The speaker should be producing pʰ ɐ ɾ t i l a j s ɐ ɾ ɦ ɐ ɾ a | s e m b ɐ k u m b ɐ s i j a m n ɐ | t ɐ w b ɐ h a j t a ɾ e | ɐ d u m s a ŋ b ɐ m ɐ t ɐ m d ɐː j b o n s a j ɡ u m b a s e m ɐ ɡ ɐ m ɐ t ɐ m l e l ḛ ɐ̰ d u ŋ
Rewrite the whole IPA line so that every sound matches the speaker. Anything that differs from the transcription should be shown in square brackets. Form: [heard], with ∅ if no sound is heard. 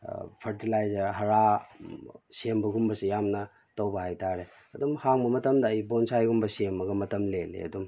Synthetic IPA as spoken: pʰ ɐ ɾ t i l a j [z] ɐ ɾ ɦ ɐ ɾ a | s e m b ɐ [ɡ] u m b ɐ s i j a m n ɐ | t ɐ w b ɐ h a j t a ɾ e | ɐ d u m [h] a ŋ b ɐ m ɐ t ɐ m d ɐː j b o n s a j ɡ u m b [ɐ] s e m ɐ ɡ ɐ m ɐ t ɐ m l e l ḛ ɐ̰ d u [m]